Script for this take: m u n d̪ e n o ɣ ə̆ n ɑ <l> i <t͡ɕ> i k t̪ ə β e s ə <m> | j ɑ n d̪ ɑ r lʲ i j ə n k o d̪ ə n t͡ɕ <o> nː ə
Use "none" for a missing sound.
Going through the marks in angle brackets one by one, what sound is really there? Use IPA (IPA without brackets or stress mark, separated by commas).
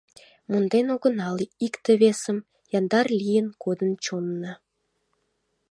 l, none, m, o